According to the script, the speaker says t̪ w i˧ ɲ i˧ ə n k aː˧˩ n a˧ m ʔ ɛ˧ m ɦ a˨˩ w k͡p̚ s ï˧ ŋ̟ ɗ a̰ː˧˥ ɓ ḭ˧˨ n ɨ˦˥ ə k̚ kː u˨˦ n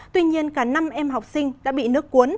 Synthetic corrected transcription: t̪ w i˧ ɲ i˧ ə n k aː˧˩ n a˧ m ʔ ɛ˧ m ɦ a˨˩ w k͡p̚ s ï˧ ŋ̟ ɗ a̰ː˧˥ ɓ ḭ˧˨ n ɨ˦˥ ə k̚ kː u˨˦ n